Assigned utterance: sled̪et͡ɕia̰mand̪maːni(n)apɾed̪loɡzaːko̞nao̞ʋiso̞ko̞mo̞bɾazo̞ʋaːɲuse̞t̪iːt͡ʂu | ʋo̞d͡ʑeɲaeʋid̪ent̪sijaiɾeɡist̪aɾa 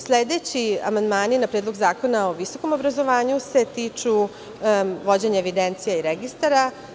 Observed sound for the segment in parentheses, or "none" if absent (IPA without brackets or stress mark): n